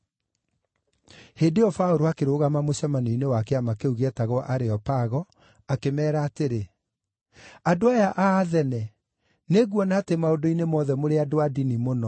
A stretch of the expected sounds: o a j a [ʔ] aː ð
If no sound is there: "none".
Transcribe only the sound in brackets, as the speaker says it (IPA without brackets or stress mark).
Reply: ʔ